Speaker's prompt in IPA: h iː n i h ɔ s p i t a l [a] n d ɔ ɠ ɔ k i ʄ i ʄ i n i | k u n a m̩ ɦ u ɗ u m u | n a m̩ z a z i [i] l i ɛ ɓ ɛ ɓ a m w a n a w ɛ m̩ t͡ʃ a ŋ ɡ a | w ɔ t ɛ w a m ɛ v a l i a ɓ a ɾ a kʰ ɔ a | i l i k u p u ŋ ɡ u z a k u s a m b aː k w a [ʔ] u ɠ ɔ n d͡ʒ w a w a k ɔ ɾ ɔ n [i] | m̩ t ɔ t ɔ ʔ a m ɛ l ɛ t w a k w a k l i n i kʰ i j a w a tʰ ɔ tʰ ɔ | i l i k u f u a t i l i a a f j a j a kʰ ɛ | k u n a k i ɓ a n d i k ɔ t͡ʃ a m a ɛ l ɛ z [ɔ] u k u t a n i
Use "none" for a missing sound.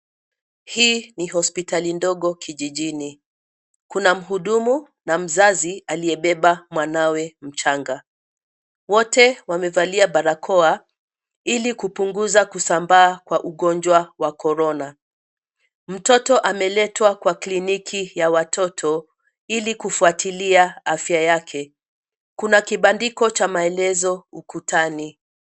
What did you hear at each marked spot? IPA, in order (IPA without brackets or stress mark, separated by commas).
i, a, ʔ, a, ɔ